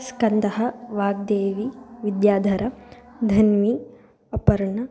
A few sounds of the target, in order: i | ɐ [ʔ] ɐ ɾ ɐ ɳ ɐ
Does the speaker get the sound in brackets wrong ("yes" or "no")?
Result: yes